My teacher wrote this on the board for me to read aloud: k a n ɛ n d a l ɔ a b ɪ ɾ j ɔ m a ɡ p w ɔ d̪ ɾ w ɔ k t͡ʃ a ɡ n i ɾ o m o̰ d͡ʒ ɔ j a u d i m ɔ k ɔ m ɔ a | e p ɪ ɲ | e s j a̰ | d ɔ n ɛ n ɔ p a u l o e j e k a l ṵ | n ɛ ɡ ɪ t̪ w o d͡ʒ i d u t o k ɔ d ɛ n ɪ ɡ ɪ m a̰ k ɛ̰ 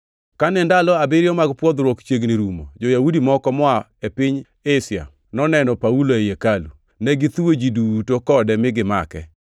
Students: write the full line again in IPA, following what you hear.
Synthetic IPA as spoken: k a n ɛ n d a l ɔ a b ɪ ɾ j ɔ m a ɡ p w ɔ d̪ ɾ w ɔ k t͡ʃ e ɡ n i ɾ u m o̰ d͡ʒ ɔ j a u d i m ɔ k ɔ m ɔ a | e p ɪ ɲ | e s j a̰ | n ɔ n ɛ n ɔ p a u l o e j e k a l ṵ | n ɛ ɡ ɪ t̪ w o d͡ʒ i d u t o k ɔ d ɛ m ɪ ɡ ɪ m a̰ k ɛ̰